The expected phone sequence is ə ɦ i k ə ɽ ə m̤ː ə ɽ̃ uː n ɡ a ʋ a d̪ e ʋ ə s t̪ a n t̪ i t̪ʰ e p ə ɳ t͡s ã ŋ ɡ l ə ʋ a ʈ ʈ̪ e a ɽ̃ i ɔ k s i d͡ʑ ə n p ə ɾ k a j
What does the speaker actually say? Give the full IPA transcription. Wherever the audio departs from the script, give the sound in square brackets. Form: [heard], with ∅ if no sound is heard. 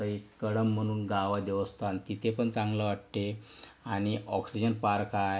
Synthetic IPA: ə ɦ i k ə ɽ ə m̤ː ə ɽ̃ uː n ɡ a ʋ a d̪ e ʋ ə s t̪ a n t̪ i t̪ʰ e p ə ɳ t͡s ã ŋ ɡ l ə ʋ a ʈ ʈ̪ e a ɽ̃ i ɔ k s i d͡ʑ ə n p [a] ɾ k a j